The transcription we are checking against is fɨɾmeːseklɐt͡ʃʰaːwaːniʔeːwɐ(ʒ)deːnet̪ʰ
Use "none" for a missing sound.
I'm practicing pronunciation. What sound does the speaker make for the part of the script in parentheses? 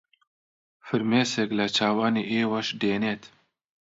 ʃ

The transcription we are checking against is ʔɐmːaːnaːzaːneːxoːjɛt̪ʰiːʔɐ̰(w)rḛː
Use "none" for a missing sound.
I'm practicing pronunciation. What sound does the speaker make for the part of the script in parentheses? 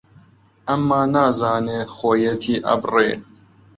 b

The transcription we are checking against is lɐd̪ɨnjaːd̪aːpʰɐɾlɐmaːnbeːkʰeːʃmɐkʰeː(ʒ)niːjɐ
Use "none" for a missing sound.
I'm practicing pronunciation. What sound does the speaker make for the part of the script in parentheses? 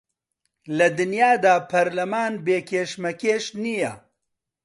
ʃ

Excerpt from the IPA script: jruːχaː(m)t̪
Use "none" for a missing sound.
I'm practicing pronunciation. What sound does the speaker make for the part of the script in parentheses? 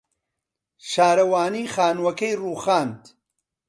n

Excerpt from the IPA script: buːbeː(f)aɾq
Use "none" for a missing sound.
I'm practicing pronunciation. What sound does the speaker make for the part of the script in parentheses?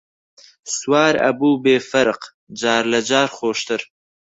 f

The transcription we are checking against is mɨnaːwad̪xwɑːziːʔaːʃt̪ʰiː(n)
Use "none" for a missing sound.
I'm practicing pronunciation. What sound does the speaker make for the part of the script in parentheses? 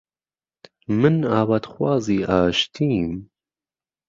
m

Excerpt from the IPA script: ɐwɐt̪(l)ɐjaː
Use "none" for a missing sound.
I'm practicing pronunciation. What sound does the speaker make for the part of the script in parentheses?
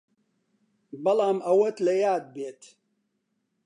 l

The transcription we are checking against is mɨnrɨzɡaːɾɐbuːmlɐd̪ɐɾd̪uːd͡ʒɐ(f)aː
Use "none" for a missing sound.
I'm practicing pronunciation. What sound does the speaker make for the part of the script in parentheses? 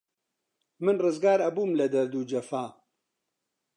f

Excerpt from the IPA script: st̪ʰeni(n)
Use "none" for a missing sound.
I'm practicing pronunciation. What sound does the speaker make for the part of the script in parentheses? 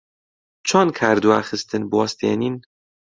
n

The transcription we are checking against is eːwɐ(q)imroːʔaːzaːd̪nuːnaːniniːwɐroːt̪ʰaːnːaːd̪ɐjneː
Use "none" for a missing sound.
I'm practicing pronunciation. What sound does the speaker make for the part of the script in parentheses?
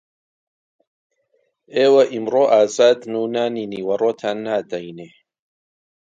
ʔ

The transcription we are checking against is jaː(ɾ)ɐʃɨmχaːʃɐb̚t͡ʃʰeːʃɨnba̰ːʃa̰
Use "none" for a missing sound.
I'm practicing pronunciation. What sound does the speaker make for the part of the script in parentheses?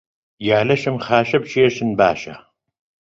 l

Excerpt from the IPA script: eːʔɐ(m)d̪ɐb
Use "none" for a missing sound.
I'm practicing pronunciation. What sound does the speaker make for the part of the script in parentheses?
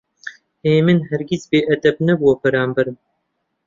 none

